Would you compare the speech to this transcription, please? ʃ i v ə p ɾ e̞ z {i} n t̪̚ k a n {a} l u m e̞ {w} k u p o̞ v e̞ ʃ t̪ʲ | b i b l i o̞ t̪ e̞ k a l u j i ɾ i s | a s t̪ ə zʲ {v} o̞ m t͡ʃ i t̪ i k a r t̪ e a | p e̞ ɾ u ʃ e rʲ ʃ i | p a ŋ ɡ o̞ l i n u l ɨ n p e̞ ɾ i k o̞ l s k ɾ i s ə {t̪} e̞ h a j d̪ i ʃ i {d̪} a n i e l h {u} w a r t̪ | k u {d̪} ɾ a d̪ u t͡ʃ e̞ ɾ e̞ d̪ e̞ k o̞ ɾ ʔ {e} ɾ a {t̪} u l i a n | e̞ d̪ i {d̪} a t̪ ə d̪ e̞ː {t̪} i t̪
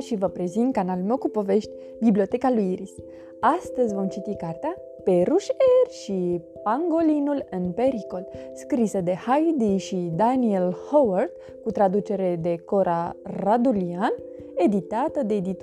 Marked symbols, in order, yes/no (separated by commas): yes, yes, yes, yes, no, yes, no, no, no, no, no, no